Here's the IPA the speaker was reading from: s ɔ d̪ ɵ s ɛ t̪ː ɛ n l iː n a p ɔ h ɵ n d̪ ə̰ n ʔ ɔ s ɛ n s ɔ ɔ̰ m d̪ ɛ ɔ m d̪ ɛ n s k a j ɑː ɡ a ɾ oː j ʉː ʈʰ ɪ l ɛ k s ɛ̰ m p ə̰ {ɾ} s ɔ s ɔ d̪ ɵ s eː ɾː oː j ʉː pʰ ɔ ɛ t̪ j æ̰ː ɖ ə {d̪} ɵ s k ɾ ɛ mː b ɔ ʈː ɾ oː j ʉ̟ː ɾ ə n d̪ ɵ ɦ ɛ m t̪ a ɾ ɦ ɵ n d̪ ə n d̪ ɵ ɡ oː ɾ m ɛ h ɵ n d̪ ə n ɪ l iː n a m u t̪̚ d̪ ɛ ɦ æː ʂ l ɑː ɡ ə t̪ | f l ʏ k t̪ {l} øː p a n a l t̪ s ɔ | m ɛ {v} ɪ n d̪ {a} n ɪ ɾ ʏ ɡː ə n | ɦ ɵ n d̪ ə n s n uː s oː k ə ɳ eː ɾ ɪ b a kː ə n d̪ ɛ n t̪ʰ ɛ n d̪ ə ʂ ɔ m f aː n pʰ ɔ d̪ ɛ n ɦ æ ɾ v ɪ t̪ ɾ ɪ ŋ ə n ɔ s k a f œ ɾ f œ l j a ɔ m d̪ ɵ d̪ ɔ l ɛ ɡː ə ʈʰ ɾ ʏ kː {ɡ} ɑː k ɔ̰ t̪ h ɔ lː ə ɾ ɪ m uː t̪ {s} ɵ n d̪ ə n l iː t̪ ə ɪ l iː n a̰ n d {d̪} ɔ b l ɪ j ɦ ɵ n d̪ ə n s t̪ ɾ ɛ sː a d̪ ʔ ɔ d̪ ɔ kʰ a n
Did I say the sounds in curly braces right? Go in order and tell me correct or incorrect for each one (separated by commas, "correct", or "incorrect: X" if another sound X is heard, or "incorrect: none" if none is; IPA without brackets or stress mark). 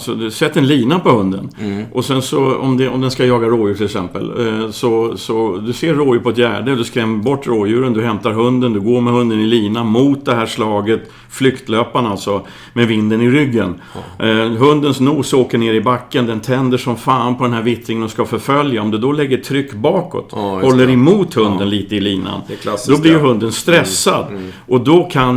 incorrect: l, correct, correct, correct, incorrect: ə, incorrect: b, incorrect: h, correct